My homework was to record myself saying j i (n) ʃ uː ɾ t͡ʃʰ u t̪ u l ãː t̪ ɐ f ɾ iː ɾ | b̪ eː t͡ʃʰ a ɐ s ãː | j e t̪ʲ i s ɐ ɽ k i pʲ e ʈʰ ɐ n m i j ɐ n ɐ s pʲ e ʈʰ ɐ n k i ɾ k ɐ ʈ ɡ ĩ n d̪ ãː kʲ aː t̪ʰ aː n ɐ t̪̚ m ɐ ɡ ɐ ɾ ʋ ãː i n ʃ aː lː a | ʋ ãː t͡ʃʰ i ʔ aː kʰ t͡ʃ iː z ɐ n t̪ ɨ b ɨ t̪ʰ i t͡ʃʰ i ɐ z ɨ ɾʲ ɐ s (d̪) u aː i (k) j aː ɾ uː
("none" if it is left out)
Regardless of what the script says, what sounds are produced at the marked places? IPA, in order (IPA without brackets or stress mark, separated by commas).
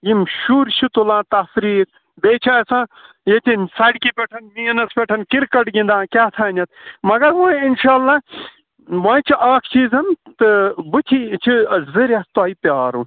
m, t̪, p